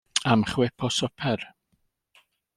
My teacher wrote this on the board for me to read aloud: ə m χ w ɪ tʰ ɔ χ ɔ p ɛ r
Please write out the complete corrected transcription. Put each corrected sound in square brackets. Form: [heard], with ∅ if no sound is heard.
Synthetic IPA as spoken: [a] m χ w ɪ [pʰ] ɔ [s] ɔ [pʰ] ɛ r